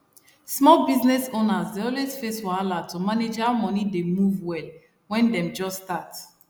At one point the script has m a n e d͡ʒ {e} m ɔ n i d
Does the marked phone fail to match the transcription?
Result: yes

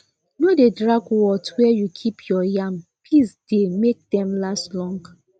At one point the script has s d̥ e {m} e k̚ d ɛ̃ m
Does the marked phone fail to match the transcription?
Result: no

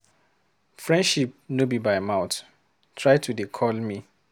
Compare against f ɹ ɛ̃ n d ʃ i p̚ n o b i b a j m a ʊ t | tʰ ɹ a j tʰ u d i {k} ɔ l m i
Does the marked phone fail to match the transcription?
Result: yes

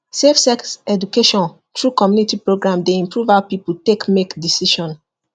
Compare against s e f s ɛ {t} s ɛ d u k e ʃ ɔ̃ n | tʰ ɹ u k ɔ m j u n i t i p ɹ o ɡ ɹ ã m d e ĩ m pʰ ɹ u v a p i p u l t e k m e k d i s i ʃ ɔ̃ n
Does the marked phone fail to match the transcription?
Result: yes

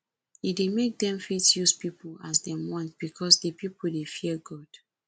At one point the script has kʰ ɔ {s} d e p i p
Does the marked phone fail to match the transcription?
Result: no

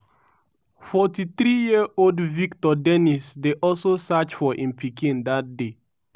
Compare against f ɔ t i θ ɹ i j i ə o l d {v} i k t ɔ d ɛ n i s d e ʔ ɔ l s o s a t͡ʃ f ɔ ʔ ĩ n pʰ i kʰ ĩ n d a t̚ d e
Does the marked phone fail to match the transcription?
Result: no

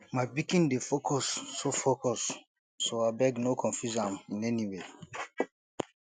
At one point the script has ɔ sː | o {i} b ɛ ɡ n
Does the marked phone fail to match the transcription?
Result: yes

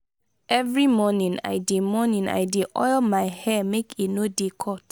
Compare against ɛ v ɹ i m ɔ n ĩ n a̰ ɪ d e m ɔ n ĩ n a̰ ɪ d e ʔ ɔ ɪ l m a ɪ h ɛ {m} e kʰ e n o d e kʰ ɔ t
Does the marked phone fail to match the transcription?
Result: no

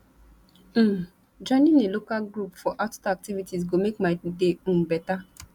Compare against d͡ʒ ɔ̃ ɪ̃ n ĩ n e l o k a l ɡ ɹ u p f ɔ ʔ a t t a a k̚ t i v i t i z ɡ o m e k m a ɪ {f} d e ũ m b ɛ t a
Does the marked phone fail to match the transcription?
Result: yes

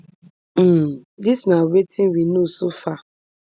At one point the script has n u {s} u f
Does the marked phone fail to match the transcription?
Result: no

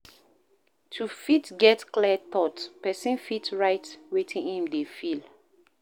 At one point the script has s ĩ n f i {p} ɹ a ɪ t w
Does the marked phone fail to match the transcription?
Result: yes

